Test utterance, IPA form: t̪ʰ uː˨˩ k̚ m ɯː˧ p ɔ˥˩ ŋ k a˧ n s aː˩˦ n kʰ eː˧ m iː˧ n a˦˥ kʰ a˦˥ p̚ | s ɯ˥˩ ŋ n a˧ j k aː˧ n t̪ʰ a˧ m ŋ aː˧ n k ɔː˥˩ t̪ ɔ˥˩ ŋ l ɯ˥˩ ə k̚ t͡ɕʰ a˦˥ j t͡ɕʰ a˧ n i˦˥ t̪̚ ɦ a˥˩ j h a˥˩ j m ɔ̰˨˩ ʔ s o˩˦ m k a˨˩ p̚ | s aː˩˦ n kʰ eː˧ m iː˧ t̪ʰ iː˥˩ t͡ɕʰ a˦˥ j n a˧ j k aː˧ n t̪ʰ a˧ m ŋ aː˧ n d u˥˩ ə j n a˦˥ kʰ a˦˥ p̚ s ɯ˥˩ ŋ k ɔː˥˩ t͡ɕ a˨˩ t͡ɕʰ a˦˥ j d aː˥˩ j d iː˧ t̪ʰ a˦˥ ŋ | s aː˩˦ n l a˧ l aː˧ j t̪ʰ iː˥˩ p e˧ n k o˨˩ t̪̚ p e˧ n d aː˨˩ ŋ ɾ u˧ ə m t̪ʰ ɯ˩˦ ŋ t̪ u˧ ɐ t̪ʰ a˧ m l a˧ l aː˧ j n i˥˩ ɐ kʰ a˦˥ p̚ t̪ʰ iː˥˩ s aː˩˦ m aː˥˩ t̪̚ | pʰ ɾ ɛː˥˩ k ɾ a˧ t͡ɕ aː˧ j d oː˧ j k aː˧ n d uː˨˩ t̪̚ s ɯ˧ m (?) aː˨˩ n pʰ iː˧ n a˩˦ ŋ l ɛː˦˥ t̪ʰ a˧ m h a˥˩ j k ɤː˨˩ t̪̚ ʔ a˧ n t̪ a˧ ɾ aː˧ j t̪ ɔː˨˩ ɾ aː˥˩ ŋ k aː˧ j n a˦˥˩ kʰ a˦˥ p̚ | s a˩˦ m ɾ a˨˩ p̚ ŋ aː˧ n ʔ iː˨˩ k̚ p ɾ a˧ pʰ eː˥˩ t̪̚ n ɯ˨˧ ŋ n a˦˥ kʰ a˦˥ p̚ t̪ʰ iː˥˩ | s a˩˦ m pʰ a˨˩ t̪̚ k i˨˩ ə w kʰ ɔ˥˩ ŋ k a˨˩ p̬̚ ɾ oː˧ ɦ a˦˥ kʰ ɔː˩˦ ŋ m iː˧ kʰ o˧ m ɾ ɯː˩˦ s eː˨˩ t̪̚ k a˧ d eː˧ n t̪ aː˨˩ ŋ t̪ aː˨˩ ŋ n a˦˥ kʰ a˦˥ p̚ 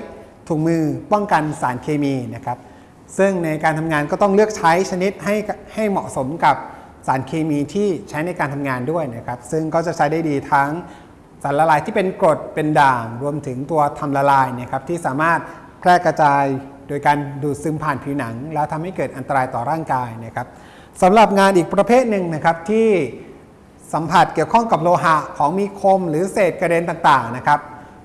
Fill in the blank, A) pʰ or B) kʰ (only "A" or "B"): A